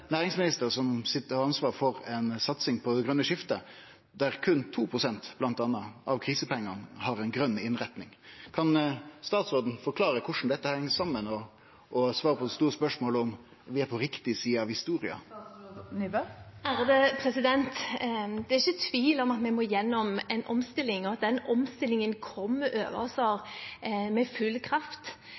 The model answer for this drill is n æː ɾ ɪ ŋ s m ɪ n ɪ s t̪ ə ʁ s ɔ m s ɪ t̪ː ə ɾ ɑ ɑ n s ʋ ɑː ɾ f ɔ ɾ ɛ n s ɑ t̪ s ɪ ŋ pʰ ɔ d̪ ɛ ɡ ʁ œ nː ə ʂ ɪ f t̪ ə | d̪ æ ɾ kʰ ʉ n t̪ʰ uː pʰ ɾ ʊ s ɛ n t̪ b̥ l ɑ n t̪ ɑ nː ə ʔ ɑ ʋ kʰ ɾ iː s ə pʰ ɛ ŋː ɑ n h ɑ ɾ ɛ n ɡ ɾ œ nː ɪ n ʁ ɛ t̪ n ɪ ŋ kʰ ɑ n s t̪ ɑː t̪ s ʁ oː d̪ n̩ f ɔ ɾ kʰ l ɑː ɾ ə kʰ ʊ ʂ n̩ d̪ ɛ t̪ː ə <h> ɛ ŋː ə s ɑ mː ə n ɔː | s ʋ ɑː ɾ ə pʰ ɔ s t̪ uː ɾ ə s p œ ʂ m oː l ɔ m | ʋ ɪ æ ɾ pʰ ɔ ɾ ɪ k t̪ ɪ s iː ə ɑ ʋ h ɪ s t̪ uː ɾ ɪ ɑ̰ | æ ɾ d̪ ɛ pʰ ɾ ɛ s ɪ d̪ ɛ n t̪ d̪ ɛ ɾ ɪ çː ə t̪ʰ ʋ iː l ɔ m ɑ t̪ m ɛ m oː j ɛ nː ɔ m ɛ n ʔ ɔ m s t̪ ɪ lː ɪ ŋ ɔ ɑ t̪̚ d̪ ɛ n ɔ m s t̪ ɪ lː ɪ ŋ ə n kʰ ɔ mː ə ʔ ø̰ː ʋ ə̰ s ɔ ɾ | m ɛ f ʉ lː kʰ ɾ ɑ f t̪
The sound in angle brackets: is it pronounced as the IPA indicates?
yes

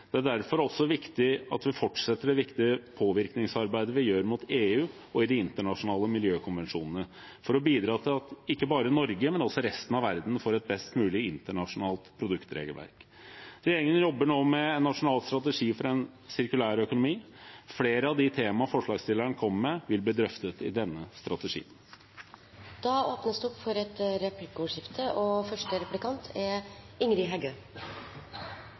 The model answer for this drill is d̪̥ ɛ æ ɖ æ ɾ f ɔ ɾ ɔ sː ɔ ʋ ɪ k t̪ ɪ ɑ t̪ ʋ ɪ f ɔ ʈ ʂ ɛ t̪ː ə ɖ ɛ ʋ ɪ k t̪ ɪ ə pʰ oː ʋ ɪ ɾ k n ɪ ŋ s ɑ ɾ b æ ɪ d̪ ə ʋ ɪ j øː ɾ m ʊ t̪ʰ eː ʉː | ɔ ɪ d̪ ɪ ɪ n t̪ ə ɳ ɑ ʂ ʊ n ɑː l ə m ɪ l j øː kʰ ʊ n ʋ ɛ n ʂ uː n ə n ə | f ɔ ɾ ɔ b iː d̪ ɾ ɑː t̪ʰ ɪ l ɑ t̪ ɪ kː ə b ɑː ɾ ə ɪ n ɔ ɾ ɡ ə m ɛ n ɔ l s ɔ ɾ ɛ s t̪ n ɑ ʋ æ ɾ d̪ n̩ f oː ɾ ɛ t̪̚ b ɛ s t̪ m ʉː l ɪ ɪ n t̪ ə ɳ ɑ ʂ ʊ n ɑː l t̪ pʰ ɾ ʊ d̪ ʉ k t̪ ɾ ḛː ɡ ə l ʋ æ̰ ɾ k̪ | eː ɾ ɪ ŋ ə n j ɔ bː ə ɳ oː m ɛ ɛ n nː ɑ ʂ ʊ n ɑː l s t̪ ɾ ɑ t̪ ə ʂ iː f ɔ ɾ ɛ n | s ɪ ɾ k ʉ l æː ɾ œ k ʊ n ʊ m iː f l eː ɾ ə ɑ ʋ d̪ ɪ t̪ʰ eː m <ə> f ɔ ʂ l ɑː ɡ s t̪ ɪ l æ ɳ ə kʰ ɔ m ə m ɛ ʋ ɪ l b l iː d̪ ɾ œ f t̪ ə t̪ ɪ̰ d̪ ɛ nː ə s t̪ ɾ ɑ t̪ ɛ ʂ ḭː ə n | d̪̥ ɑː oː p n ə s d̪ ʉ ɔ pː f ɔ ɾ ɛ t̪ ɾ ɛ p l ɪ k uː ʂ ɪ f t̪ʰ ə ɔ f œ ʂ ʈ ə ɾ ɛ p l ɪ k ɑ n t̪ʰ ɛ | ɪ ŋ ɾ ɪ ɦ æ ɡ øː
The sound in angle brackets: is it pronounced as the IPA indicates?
no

